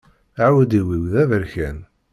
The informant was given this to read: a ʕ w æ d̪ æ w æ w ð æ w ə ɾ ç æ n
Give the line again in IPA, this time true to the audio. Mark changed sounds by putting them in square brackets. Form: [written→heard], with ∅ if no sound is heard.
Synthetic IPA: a ʕ w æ d̪ [æ→i] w [æ→i] w ð æ [w→v] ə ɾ ç æ n